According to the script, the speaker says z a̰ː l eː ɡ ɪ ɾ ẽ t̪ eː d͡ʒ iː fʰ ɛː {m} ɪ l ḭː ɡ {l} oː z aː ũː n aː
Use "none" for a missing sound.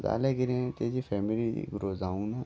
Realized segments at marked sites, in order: m, ɾ

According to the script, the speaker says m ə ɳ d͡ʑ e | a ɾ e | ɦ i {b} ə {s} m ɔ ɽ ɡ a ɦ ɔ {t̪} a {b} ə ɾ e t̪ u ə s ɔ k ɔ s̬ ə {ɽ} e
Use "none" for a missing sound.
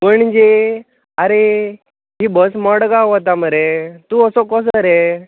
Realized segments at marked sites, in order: b, s, t̪, m, ɾ

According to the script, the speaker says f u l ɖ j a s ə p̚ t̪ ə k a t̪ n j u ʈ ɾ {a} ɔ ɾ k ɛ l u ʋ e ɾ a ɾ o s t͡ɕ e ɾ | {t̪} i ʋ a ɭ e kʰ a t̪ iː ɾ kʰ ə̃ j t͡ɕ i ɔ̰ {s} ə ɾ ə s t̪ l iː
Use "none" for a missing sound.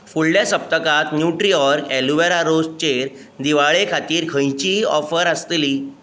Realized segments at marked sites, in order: i, d̪, f

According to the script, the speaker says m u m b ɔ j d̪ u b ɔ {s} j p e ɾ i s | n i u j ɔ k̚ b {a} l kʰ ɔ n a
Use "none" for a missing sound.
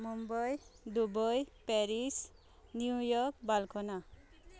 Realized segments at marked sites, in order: none, a

